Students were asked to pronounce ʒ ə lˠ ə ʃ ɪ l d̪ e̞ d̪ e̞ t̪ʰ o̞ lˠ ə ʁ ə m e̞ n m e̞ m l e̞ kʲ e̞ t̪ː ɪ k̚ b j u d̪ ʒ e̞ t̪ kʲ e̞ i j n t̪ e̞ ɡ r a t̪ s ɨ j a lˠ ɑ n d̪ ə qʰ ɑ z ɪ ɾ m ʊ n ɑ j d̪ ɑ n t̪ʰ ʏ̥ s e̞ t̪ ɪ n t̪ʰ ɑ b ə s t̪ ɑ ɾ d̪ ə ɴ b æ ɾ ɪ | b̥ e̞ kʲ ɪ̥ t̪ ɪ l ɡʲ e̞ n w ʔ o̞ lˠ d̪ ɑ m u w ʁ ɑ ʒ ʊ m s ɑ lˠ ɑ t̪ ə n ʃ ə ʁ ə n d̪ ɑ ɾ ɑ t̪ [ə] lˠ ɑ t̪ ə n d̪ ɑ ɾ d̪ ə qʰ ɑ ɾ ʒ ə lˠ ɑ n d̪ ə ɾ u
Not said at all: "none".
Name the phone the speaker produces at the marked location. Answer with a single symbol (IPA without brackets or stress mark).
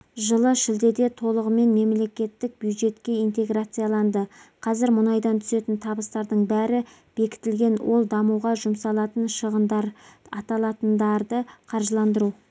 ɑ